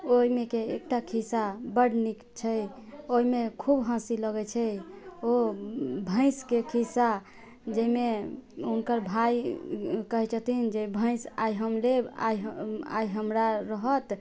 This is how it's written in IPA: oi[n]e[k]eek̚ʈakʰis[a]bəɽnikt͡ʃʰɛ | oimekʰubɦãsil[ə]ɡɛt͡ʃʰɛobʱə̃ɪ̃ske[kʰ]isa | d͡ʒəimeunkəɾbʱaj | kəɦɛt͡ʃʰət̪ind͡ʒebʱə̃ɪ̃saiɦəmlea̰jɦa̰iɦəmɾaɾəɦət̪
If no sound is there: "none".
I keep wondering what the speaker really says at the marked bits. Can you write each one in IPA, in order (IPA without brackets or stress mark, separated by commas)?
m, k, a, ə, kʰ